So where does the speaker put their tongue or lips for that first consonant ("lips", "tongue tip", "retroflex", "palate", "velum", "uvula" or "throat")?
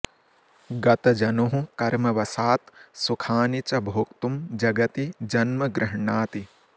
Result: velum